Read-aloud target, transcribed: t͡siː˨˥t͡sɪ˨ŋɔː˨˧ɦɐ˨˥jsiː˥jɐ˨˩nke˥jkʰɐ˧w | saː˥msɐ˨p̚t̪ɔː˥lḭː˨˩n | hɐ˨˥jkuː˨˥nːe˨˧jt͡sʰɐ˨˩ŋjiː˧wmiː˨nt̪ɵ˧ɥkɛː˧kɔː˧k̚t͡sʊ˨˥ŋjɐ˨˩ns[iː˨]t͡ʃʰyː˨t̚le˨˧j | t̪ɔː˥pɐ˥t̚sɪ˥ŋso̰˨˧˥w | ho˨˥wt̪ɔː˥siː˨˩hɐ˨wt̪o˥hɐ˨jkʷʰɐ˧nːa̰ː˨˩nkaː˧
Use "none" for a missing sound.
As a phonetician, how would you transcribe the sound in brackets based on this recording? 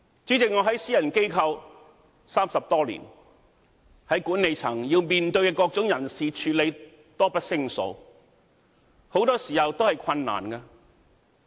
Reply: iː˨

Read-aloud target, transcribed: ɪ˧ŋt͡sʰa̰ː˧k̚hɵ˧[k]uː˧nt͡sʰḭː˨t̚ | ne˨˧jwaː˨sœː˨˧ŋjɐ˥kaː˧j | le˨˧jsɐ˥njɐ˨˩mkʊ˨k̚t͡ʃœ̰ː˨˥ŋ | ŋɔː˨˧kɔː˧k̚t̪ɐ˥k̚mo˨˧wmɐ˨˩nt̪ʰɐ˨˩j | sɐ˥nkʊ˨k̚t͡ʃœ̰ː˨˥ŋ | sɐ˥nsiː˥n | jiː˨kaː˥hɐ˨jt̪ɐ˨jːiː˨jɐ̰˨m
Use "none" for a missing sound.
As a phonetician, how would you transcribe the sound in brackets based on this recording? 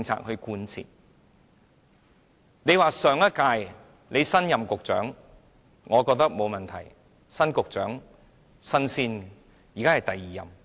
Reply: k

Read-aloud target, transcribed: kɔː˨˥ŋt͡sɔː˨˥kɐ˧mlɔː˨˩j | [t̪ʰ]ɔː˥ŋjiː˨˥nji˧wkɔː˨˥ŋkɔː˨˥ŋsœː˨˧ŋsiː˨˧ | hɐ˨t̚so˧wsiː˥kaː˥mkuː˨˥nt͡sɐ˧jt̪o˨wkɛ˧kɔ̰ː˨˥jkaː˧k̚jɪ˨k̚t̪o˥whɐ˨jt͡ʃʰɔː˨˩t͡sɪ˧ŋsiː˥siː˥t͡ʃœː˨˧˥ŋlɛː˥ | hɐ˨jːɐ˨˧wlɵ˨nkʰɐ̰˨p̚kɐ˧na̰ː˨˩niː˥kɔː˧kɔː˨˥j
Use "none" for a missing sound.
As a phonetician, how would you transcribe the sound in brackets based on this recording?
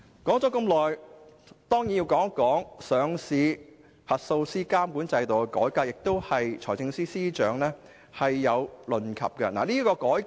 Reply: t̪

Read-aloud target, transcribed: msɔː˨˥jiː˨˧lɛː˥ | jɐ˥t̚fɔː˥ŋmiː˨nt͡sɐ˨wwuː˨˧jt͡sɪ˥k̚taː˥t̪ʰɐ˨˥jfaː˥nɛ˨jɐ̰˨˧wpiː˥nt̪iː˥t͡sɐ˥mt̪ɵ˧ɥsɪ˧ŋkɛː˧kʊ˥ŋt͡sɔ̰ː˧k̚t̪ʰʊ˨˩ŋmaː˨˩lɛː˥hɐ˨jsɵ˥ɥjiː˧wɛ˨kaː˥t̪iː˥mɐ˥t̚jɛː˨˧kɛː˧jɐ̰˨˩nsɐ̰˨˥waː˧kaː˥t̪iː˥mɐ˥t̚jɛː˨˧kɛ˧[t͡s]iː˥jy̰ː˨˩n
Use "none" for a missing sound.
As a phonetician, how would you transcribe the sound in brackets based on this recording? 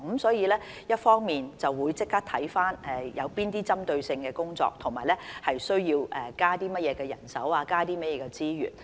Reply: t͡s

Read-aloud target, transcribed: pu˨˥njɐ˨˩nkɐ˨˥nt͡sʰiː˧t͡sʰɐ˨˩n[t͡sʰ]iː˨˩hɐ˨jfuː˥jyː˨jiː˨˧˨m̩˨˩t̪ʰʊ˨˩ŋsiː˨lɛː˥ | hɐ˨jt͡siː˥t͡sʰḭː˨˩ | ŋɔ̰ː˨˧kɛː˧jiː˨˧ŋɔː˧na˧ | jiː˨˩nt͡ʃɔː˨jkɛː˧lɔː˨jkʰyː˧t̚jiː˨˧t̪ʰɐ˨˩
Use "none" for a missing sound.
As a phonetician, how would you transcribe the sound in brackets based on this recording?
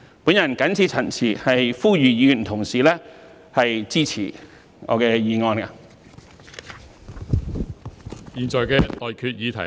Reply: t͡sʰ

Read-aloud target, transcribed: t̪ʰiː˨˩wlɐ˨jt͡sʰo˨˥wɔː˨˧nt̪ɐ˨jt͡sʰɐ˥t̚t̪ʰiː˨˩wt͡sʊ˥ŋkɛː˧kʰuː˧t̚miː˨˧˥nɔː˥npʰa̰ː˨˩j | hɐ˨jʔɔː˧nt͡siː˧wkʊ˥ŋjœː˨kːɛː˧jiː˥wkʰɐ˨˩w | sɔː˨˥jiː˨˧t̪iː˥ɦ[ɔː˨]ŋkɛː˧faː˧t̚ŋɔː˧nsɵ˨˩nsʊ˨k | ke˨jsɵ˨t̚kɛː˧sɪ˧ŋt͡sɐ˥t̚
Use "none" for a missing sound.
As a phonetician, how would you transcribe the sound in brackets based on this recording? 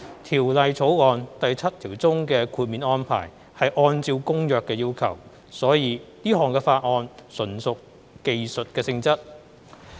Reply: ɔː˨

